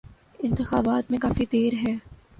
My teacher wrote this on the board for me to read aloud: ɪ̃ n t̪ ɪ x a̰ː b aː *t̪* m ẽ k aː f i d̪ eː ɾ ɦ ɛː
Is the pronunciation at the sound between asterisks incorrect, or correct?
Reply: correct